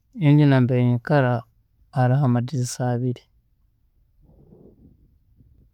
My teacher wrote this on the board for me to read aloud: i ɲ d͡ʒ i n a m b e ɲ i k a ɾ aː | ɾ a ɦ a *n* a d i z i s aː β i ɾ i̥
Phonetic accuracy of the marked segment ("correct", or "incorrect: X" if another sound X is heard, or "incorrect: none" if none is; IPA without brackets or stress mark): incorrect: m